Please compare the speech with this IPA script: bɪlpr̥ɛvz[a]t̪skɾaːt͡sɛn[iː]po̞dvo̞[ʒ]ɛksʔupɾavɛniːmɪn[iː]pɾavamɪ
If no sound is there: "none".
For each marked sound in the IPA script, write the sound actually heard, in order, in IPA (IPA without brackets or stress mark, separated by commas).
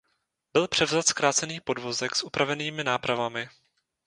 a, iː, z, aː